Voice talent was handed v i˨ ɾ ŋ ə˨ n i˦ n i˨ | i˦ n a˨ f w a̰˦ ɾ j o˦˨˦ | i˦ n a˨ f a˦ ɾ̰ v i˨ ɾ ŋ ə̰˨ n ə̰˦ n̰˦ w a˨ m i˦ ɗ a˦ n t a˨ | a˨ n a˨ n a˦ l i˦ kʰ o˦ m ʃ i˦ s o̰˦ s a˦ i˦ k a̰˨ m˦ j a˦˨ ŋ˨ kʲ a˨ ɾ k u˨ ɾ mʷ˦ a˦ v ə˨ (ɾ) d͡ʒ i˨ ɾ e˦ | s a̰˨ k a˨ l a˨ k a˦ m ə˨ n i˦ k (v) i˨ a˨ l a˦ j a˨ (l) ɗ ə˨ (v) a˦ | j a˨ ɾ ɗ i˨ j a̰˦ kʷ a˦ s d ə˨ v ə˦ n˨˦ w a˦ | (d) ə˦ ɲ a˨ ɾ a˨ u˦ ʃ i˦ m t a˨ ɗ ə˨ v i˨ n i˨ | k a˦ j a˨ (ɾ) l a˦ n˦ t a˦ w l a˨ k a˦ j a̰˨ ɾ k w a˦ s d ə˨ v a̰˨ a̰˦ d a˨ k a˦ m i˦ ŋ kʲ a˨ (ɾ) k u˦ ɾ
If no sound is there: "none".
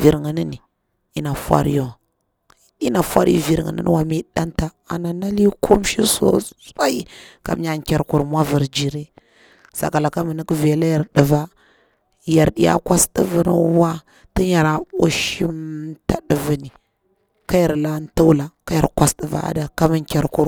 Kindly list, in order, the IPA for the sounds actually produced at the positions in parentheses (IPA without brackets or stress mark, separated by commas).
ɾ, v, ɾ, v, t, ɾ, ɾ